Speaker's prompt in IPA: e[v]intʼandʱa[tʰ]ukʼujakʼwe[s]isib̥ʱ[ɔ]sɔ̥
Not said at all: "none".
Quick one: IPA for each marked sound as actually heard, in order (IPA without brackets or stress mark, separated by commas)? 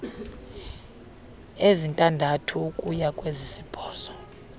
z, tʰ, z, ɔː